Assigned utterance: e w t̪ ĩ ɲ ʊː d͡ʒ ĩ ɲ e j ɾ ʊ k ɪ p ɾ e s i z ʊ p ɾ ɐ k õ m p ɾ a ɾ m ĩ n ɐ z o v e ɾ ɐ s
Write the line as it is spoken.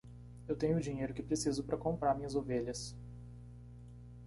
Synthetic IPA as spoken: e w t̪ ẽ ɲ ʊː d͡ʒ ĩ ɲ e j ɾ ʊ k ɪ p ɾ e s i z ʊ p ɾ ɐ k õ m p ɾ a ɾ m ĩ ɲ ɐ z o v e ʎ ɐ s